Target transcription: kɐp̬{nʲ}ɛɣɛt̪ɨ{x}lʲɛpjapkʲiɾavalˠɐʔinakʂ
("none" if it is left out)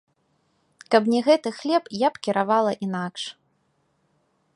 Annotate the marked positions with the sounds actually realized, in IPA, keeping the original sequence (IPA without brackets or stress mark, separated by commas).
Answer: nʲ, x